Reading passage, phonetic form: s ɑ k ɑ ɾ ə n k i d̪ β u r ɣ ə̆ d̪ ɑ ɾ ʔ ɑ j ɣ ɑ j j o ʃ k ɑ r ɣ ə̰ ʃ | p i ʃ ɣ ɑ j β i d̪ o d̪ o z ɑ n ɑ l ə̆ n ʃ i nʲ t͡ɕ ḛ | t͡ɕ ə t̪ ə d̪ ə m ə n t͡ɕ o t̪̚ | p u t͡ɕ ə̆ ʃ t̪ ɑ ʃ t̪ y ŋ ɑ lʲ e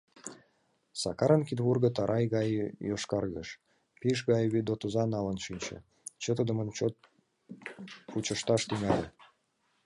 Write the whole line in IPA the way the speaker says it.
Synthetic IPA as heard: s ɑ k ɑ ɾ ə n k i d̪ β u r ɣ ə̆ t̪ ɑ ɾ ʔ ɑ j ɣ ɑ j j o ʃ k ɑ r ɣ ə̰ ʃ | p i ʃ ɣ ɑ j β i d̪ o t̪ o z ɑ n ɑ l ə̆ n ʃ i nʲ t͡ɕ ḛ | t͡ɕ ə t̪ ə d̪ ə m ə n t͡ɕ o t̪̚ | p u t͡ɕ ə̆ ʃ t̪ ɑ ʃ t̪ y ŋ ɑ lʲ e